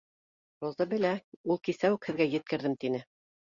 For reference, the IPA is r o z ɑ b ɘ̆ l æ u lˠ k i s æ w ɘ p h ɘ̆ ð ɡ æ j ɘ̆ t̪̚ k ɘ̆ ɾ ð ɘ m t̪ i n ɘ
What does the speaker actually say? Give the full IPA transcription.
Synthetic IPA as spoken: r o z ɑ b ɘ̆ l æ u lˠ k i s æ w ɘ k h ɘ̆ ð ɡ æ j ɘ̆ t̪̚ k ɘ̆ ɾ ð ɘ m t̪ i n ɘ